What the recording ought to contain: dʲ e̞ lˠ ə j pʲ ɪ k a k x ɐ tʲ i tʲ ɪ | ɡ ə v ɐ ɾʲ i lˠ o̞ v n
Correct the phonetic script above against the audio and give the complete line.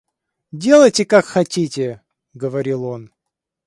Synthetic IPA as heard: dʲ e̞ lˠ ə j tʲ ɪ k a k x ɐ tʲ i tʲ ɪ | ɡ ə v ɐ ɾʲ i lˠ o̞ n